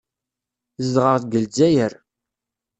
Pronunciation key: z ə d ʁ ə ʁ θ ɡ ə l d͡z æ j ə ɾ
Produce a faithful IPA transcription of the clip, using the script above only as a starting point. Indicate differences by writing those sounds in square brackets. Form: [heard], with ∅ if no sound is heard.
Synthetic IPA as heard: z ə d ʁ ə ʁ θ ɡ ə l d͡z æ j ə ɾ